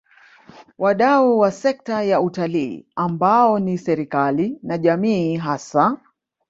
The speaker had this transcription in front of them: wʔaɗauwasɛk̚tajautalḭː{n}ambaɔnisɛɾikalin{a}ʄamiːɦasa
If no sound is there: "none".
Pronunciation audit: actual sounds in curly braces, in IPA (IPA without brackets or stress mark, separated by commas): none, a